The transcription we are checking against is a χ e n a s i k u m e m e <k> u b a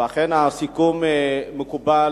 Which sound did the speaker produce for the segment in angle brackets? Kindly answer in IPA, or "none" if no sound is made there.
k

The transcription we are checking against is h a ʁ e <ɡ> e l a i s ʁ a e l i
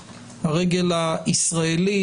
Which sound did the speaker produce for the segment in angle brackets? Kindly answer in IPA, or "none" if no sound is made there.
ɡ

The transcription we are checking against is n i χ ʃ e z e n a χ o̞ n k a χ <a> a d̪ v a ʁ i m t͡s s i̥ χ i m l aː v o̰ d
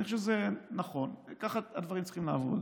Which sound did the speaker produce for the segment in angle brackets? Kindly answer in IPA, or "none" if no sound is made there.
a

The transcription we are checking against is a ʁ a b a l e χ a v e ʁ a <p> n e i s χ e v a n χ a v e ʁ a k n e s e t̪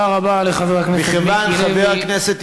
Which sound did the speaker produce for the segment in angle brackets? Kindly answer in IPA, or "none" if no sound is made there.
k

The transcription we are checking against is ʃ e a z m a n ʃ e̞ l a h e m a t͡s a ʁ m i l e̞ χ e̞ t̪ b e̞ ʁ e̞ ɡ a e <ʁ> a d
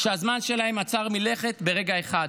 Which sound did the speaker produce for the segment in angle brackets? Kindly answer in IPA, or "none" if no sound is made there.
χ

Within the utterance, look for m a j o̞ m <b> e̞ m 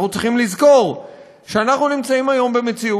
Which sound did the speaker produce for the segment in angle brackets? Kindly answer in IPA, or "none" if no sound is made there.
b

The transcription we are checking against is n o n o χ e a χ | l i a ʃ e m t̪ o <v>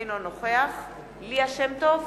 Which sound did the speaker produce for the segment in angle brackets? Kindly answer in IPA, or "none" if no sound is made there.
v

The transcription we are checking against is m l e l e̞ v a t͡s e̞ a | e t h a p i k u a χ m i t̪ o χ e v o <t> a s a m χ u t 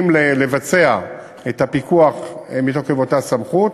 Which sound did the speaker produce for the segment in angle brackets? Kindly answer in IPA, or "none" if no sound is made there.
t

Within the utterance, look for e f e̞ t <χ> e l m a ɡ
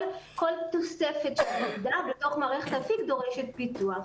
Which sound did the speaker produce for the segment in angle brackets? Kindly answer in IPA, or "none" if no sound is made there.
ʃ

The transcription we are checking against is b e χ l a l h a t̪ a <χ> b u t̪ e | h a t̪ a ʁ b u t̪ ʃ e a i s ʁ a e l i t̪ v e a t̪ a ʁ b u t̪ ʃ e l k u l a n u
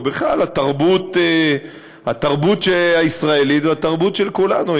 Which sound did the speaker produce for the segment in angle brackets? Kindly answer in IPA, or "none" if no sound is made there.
ʁ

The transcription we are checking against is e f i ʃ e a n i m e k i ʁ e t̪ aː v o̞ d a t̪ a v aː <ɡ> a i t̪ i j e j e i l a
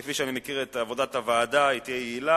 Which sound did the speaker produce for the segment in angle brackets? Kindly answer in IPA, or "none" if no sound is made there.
d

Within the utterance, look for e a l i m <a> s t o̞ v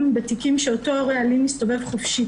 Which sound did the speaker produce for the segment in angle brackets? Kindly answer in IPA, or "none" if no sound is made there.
i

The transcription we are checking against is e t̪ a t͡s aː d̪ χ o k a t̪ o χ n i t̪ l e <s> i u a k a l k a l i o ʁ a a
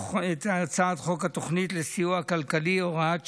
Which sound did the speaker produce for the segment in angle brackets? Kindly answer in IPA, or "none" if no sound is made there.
s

